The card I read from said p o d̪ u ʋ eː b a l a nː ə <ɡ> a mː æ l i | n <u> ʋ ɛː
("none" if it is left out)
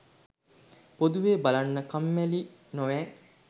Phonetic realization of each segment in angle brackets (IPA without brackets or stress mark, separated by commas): k, o